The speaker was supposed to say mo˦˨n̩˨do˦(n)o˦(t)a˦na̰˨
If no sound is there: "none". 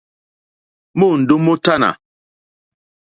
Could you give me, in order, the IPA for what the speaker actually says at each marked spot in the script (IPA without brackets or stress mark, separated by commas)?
m, t